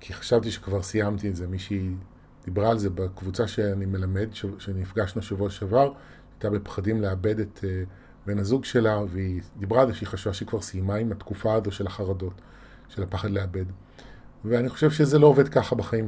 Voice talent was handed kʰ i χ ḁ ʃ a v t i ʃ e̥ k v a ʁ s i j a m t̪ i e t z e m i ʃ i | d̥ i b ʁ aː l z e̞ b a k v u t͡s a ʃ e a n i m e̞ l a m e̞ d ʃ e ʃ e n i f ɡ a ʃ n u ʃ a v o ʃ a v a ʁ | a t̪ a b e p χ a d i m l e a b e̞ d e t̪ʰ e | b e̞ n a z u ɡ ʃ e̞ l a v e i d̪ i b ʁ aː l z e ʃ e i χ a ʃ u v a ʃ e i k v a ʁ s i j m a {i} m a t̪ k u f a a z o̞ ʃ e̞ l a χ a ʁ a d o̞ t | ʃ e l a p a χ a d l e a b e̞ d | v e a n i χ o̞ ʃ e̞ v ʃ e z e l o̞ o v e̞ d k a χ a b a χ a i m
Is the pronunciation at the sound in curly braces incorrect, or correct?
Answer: correct